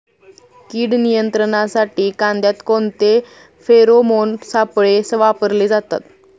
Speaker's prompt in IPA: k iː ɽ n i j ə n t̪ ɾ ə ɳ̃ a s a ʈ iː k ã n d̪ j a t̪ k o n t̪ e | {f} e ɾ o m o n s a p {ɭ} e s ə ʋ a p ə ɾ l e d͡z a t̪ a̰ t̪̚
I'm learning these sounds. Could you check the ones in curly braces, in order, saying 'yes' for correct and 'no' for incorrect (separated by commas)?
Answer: yes, yes